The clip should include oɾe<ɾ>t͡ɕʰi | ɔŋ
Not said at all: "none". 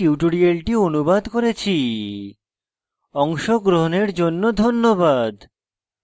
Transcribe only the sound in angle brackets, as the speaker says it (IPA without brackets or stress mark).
none